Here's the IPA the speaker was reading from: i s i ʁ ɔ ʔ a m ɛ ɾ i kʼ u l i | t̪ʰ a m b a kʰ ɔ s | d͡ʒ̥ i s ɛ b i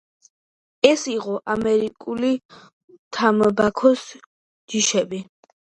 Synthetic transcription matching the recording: ɛ s i ʁ ɔ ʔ a m ɛ ɾ i kʼ u l i | t̪ʰ a m b a kʰ ɔ s | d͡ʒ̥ i ʃ ɛ b i